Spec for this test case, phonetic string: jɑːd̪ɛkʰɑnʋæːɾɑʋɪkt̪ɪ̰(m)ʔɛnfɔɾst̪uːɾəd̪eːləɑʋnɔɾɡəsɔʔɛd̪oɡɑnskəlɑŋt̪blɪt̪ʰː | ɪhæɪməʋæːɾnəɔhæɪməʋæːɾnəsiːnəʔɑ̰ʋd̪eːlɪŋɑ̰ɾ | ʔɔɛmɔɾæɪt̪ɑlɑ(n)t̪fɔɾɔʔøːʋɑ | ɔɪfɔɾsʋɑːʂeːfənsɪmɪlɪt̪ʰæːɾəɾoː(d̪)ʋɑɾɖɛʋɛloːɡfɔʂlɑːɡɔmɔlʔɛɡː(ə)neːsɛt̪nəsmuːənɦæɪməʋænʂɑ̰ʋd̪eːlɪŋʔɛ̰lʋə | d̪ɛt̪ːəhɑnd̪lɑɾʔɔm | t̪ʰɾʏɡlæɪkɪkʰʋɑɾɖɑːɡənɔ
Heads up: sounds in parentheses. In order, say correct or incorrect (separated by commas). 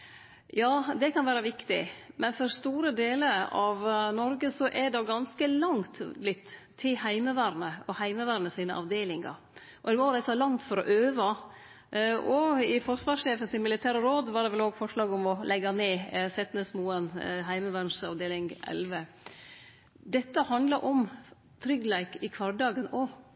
correct, incorrect, correct, incorrect